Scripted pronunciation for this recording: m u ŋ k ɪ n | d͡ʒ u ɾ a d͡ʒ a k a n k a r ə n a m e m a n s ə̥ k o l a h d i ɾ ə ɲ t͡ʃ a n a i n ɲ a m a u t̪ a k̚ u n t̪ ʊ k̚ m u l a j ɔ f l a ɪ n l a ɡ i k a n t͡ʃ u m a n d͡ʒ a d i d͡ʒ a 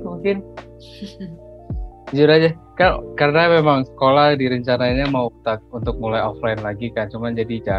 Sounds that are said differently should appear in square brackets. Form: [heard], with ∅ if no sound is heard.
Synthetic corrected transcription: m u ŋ k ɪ n | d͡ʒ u ɾ a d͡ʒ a k a n k a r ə n a m e m a [ŋ] s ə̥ k o l a h d i ɾ ə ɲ t͡ʃ a n a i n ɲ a m a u t̪ a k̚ u n t̪ ʊ k̚ m u l a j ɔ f l a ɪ n l a ɡ i k a n t͡ʃ u m a n d͡ʒ a d i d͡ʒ a